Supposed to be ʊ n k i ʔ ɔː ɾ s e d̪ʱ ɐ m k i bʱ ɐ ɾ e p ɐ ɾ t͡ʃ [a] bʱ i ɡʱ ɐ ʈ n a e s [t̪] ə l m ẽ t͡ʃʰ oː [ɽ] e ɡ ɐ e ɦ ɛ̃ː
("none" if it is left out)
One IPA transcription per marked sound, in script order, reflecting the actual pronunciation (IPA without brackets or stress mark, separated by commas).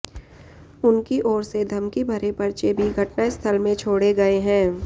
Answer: e, t̪ʰ, ɽ